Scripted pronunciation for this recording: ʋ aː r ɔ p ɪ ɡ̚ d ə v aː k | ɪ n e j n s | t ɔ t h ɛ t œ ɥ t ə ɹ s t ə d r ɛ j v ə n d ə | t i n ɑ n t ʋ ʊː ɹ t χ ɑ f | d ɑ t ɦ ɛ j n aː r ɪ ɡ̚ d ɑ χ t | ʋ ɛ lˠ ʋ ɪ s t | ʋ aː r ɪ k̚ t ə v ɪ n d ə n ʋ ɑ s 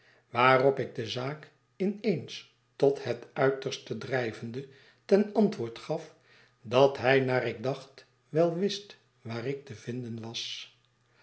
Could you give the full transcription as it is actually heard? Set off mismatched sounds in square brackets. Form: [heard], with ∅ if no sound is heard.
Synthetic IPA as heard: ʋ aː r ɔ p ɪ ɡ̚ d ə [z] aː k | ɪ n e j n s | t ɔ t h ɛ t œ ɥ t ə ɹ s t ə d r ɛ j v ə n d ə | t [ɛ] n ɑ n t ʋ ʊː ɹ t χ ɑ f | d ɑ t ɦ ɛ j n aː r ɪ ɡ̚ d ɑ χ t | ʋ ɛ lˠ ʋ ɪ s t | ʋ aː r ɪ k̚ t ə v ɪ n d ə n ʋ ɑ s